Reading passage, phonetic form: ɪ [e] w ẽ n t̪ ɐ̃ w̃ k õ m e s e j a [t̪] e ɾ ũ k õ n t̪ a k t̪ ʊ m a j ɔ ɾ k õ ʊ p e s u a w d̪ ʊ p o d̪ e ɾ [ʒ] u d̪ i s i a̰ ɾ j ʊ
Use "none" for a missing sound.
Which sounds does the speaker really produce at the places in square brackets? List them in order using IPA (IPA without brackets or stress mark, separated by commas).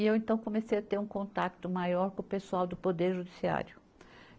e, t̪, ʒ